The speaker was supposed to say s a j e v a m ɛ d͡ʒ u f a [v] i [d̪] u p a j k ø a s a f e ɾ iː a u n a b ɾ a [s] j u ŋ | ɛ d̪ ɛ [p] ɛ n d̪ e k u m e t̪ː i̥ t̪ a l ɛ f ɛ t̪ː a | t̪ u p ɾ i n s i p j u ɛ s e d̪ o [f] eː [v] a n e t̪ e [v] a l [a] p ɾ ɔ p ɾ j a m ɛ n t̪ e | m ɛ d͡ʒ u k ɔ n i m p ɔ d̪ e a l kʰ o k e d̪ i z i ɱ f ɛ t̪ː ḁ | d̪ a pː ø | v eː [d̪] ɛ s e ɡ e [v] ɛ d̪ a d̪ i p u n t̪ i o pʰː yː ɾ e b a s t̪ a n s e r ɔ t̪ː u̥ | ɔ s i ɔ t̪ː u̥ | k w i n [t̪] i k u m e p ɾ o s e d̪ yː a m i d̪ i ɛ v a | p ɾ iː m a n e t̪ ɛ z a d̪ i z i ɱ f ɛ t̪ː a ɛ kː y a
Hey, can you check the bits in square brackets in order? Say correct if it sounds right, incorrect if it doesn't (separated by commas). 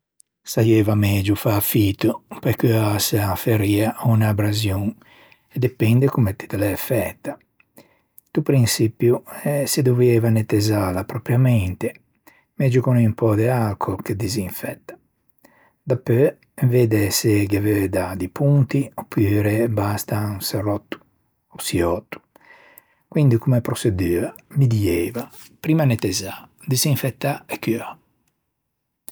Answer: incorrect, incorrect, incorrect, correct, incorrect, correct, incorrect, correct, correct, correct, incorrect